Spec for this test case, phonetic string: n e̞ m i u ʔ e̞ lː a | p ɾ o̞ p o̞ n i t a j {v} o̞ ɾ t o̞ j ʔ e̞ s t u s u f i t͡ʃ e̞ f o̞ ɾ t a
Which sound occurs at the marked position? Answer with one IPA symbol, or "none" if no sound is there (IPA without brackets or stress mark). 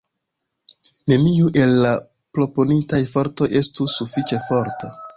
f